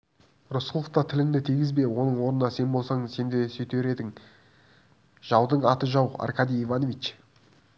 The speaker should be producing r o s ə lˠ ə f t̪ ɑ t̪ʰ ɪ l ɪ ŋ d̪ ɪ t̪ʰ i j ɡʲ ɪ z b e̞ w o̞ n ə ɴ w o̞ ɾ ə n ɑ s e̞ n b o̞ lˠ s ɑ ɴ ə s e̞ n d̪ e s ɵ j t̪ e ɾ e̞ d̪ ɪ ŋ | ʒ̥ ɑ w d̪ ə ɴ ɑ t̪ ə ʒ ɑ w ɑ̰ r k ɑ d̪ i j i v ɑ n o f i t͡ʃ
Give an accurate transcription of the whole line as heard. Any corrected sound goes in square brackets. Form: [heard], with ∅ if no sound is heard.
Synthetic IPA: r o s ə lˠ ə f t̪ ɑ t̪ʰ ɪ l ɪ ŋ d̪ ɪ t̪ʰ i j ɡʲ ɪ z b e̞ w o̞ n ə ɴ w o̞ ɾ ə n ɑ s e̞ n b o̞ lˠ s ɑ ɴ ə s e̞ n d̪ e s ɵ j t̪ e ɾ e̞ d̪ ɪ ŋ | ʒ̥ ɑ w d̪ ə ɴ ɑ t̪ ə ʒ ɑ w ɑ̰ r k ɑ d̪ i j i v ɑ n o [v] i t͡ʃ